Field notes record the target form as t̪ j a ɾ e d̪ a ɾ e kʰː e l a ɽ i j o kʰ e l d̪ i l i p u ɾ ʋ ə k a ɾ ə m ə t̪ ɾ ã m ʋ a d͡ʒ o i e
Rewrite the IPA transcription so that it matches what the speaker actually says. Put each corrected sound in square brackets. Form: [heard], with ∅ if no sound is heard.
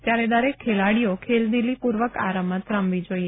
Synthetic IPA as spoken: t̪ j a ɾ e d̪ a ɾ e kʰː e l a ɽ i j o kʰ e l d̪ i l i p u ɾ ʋ ə k a ɾ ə m ə t̪ ɾ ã m ʋ [i] d͡ʒ o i e